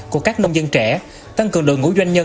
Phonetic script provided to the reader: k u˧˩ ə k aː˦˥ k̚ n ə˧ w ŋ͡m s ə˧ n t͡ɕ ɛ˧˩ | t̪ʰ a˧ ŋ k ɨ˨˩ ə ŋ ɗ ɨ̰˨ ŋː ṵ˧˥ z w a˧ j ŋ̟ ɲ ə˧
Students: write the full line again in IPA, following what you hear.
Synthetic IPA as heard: k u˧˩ ə k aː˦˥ k̚ n ə˧ w ŋ͡m z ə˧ n t͡ɕ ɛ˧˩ | t̪ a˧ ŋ k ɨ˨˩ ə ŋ ɗ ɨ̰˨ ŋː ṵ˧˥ z w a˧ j ŋ̟ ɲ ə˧